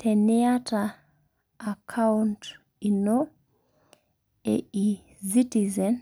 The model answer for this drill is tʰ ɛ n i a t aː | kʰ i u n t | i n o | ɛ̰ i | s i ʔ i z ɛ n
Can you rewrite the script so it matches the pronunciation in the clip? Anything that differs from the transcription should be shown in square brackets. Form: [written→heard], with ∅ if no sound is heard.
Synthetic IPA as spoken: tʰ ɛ n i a t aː | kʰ [i→a] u n t | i n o | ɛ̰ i | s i [ʔ→t] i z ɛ n